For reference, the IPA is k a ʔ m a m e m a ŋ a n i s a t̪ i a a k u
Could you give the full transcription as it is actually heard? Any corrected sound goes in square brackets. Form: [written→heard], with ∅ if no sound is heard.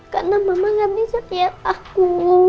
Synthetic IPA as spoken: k a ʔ [m→n] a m [e→a] m a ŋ a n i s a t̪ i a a k u

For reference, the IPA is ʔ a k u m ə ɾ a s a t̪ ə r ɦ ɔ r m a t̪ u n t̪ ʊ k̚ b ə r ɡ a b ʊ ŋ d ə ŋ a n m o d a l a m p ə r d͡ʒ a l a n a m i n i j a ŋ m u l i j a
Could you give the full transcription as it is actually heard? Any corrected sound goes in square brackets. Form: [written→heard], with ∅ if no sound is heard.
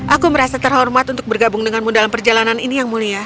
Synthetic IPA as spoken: ʔ a k u m ə ɾ a s a t̪ ə r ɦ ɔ r m a t̪ u n t̪ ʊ k̚ b ə r ɡ a b ʊ ŋ d ə ŋ a n m [o→u] d a l a m p ə r d͡ʒ a l a n a [m→n] i n i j a ŋ m u l i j a

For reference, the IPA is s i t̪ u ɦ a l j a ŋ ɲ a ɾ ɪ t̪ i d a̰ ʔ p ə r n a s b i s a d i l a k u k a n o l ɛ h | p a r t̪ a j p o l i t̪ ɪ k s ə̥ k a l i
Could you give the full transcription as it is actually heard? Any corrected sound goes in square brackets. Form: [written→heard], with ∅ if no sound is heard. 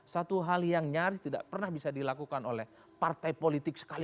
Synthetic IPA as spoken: s [i→a] t̪ u ɦ a l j a ŋ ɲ a ɾ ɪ t̪ i d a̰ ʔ p ə r n a [s→h] b i s a d i l a k u k a n o l ɛ h | p a r t̪ a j p o l i t̪ ɪ k s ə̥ k a l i

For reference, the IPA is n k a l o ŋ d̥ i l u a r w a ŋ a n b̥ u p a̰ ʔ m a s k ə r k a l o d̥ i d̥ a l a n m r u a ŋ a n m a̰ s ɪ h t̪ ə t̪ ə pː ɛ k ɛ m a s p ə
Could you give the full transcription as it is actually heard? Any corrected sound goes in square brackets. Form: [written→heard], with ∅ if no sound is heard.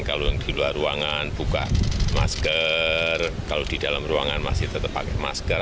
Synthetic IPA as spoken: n k a l o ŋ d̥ i l u a r [w→u] a ŋ a n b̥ u [p→k] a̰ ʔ m a s k ə r k a l o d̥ i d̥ a l a [n→∅] m r u a ŋ a n m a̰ s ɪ h t̪ ə t̪ ə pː [ɛ→a] k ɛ m a s [p→k] ə

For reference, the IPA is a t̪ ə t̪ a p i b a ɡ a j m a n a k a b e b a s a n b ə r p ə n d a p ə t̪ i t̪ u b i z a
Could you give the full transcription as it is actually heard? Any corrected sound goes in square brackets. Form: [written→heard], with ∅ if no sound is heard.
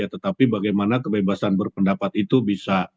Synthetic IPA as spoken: a t̪ ə t̪ a p i b a ɡ a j m a n a k [a→ə] b e b a s a n b ə r p ə n d a p [ə→a] t̪ i t̪ u b i [z→s] a

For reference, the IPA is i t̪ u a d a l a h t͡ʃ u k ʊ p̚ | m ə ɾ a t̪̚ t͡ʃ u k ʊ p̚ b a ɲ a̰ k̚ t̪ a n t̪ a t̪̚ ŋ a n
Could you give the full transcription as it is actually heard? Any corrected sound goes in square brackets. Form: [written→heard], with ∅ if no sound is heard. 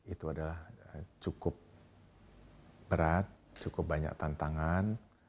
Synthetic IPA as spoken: i t̪ u a d a l a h t͡ʃ u k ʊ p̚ | [m→b] ə ɾ a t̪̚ t͡ʃ u k ʊ p̚ b a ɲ a̰ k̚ t̪ a n t̪ a [t̪̚→∅] ŋ a n

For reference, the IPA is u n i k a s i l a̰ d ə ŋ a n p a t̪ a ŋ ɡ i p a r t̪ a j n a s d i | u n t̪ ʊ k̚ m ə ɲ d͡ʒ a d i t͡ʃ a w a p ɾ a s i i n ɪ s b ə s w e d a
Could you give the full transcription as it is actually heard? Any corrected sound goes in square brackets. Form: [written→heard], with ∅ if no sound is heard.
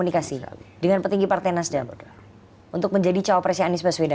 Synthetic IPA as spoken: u n i k a s i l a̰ d ə ŋ a n p [a→ə] t̪ [a→i] ŋ ɡ i p a r t̪ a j n a s d [i→a] | u n t̪ ʊ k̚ m ə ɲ d͡ʒ a d i t͡ʃ a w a p ɾ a s i [i→a] n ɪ s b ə s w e d a

